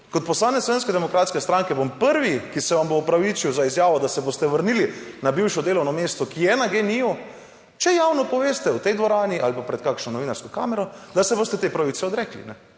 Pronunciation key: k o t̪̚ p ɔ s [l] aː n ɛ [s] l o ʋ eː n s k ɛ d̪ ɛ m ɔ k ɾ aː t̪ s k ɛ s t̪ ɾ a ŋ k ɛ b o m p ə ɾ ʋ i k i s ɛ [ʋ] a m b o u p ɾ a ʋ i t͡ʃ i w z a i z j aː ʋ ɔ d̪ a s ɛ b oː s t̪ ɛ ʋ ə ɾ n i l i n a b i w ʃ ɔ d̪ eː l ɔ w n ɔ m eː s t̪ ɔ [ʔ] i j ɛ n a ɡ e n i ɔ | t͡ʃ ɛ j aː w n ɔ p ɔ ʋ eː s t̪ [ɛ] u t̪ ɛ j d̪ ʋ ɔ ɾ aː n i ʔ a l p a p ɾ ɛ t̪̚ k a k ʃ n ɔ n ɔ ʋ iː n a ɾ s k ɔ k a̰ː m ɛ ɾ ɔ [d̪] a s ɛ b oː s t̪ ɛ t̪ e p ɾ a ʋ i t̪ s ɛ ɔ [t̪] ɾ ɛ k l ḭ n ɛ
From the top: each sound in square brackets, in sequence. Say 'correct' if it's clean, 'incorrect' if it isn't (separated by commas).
correct, correct, correct, incorrect, correct, correct, incorrect